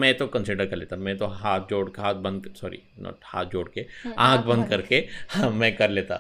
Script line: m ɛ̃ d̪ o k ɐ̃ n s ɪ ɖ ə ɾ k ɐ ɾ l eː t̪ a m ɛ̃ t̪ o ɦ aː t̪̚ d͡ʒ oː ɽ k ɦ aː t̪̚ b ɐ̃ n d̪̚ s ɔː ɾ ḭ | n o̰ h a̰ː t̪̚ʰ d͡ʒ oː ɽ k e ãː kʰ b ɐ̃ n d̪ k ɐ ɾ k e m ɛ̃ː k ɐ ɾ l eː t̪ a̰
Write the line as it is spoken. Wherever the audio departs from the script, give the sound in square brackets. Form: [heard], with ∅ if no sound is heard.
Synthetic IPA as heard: m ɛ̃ [t̪] o k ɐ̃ n s ɪ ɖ ə ɾ k ɐ ɾ l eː t̪ a m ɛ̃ t̪ o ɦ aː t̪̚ d͡ʒ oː ɽ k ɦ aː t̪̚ b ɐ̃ n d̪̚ s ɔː ɾ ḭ | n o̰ h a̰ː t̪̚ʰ d͡ʒ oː ɽ k e ãː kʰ b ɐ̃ n d̪ k ɐ ɾ k e m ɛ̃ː k ɐ ɾ l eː t̪ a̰